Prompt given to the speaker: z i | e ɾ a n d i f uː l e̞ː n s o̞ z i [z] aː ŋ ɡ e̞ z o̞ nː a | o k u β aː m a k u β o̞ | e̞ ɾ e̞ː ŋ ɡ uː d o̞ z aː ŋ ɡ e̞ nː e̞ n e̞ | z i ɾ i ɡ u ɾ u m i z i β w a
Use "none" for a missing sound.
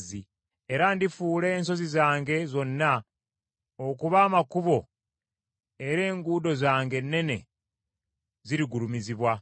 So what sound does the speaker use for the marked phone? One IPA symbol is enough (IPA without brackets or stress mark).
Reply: z